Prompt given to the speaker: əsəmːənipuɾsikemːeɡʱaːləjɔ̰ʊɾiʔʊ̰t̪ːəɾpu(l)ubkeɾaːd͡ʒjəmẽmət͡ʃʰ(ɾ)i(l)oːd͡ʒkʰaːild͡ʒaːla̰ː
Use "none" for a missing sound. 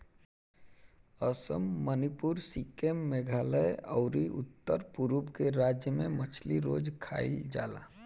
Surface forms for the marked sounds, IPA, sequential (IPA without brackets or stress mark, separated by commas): ɾ, l, ɾ